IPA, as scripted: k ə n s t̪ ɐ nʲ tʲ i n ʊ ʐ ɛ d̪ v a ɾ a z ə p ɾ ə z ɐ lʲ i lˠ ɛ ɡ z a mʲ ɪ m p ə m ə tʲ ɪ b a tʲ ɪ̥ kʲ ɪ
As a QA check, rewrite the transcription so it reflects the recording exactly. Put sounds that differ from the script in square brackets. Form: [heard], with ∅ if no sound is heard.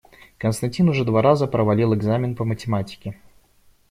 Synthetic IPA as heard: k ə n s t̪ ɐ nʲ tʲ i n ʊ ʐ ɛ d̪ v a ɾ a z ə p ɾ ə [v] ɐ lʲ i lˠ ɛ ɡ z a mʲ ɪ [n] p ə m ə tʲ ɪ [m] a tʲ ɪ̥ kʲ ɪ